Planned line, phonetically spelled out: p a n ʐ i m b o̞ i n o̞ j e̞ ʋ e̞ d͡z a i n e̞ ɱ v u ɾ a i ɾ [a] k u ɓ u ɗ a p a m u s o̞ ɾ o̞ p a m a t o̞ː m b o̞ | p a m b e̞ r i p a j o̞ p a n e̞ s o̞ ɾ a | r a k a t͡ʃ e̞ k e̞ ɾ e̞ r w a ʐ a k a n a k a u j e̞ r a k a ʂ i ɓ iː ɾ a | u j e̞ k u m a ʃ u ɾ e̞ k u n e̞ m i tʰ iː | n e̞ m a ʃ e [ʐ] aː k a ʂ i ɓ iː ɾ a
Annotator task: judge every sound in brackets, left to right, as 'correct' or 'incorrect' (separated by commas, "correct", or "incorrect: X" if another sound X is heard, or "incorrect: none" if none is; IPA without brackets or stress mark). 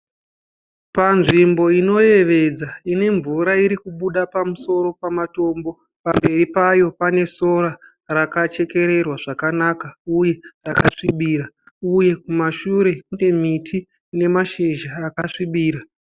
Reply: incorrect: i, incorrect: ʒ